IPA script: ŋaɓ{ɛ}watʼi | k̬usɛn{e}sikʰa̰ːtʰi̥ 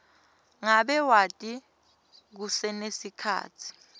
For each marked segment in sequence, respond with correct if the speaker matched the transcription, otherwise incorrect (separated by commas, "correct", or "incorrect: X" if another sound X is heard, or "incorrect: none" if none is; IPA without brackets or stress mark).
correct, correct